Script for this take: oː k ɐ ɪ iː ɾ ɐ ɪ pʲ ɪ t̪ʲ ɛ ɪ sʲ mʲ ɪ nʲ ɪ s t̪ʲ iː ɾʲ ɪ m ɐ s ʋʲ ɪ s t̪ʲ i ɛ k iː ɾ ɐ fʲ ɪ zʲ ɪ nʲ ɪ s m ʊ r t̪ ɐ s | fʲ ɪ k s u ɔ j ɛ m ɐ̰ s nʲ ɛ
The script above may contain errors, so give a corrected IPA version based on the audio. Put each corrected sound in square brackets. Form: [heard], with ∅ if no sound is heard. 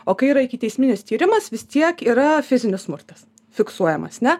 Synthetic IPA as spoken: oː k ɐ ɪ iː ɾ ɐ ɪ [kʲ] ɪ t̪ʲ ɛ ɪ sʲ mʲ ɪ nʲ ɪ s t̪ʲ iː ɾʲ ɪ m ɐ s ʋʲ ɪ s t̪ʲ i ɛ k iː ɾ ɐ fʲ ɪ zʲ ɪ nʲ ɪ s m ʊ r t̪ ɐ s | fʲ ɪ k s u ɔ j ɛ m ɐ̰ s nʲ ɛ